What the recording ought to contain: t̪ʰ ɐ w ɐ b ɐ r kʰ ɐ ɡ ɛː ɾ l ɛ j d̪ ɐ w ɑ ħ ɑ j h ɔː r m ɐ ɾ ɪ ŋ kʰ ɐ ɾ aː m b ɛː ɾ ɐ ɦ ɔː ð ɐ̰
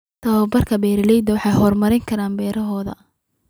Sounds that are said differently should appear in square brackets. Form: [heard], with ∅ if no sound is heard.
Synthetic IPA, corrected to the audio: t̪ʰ ɐ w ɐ b ɐ r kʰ ɐ [b] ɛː ɾ l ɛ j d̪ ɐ w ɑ ħ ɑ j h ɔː r m ɐ ɾ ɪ ŋ kʰ ɐ ɾ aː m b ɛː ɾ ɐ ɦ ɔː ð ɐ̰